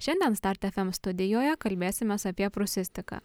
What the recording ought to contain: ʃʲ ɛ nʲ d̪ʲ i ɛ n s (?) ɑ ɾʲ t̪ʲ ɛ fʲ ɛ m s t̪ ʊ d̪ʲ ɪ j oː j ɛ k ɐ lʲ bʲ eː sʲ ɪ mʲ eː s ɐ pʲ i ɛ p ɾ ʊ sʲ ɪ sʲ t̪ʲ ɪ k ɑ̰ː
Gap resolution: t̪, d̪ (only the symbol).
t̪